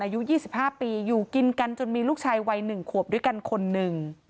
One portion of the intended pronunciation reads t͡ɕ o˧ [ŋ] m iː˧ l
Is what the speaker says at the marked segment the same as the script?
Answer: no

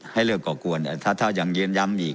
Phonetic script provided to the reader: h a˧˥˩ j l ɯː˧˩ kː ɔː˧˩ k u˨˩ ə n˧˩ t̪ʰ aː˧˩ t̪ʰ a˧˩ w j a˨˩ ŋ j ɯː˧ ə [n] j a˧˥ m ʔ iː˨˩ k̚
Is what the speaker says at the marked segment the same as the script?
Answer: yes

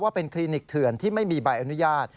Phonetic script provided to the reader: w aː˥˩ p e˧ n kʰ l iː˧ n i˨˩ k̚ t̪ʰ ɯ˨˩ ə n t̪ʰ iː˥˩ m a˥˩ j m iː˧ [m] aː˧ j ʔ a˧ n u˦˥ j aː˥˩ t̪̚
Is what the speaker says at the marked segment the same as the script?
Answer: no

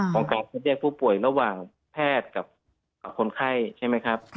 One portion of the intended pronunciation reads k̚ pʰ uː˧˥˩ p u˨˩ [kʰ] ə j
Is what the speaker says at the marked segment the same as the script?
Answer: no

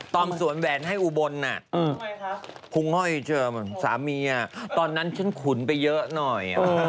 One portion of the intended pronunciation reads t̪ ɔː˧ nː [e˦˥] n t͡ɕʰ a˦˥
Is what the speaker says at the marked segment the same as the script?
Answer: no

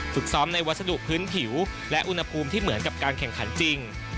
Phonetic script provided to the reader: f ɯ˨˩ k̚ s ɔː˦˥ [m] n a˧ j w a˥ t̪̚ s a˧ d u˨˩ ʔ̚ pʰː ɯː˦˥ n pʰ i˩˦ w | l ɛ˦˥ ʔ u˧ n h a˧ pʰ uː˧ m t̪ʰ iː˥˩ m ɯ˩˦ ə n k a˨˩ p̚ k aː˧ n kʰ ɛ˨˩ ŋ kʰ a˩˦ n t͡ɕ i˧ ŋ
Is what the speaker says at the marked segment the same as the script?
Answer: yes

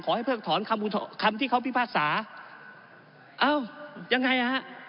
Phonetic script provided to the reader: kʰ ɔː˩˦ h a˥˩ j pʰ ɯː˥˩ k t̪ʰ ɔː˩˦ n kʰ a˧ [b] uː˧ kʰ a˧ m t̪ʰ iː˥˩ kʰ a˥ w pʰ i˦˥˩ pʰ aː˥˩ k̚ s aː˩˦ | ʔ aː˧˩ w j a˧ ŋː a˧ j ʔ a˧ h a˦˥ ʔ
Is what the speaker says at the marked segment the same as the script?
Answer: no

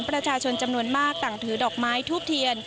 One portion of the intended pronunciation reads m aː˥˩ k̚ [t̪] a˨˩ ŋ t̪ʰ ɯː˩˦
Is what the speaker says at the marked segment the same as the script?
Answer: yes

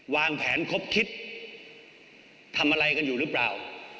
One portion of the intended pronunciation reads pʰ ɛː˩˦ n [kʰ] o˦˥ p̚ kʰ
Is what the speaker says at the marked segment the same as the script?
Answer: yes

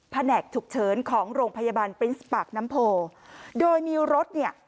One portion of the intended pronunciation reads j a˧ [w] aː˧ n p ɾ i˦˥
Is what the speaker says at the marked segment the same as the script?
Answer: no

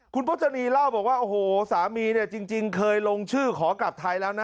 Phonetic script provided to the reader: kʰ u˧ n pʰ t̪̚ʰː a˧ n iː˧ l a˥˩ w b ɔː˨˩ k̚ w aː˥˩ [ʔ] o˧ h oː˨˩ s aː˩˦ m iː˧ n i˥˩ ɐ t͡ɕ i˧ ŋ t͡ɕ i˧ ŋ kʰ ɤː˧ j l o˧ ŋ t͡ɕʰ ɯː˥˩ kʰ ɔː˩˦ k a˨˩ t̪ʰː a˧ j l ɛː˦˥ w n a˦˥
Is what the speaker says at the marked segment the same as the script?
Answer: yes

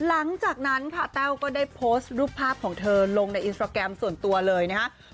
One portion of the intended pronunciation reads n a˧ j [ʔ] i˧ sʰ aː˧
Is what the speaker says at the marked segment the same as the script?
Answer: yes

